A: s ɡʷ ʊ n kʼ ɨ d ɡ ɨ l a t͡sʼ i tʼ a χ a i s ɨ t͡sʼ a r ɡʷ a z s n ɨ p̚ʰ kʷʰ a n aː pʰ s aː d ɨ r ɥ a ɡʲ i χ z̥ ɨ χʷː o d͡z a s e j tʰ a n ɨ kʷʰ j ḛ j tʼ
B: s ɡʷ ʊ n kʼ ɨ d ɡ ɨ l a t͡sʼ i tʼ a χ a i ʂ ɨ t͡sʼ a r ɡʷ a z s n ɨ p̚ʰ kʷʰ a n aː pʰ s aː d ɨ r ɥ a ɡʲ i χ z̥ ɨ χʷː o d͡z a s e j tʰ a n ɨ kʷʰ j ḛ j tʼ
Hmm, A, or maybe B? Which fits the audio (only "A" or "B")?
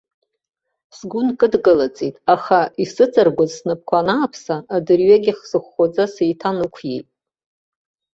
A